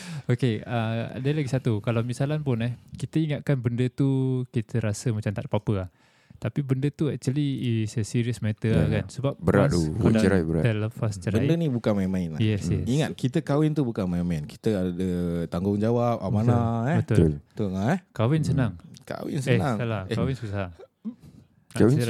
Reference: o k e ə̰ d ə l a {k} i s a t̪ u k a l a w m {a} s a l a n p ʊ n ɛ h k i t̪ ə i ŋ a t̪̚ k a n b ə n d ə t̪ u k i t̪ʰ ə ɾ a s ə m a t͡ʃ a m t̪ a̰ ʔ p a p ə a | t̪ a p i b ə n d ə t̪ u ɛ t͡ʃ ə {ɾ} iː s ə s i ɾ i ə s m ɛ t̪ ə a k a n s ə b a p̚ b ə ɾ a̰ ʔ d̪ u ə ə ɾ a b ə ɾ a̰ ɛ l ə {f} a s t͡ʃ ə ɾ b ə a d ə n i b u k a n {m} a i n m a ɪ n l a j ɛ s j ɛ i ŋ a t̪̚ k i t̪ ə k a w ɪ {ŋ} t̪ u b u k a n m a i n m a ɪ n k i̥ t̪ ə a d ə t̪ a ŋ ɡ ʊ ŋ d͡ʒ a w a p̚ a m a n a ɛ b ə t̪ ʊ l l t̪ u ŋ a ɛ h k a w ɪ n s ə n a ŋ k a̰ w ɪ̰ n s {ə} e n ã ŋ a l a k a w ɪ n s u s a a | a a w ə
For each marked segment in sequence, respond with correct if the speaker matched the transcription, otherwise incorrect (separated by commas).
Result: incorrect, incorrect, incorrect, correct, correct, incorrect, correct